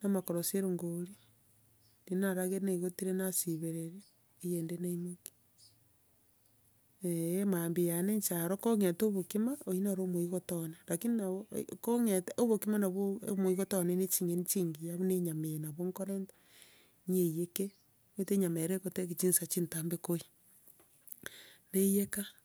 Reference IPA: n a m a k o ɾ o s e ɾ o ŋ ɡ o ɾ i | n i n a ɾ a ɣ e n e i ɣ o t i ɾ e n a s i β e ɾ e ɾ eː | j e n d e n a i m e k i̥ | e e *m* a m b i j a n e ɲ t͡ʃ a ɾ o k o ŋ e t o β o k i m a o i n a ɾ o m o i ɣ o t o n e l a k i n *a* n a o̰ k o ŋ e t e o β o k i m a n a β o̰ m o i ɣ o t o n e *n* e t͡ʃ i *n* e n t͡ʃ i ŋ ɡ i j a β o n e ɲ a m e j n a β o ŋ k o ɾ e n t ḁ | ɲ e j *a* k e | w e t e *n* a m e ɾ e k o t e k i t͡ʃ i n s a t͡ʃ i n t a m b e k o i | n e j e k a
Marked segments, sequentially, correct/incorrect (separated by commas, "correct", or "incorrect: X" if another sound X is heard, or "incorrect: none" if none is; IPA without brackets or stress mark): correct, incorrect: i, correct, incorrect: ŋ, incorrect: e, incorrect: ɲ